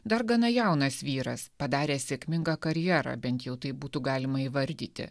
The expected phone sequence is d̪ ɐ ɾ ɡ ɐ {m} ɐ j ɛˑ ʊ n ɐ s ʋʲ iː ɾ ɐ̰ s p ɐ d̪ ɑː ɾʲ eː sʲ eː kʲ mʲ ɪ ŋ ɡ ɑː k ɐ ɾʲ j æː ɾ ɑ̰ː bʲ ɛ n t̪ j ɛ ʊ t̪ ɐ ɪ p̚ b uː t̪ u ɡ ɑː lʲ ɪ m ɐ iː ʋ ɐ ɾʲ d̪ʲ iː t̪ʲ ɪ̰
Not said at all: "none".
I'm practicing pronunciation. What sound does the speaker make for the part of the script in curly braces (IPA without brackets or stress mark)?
n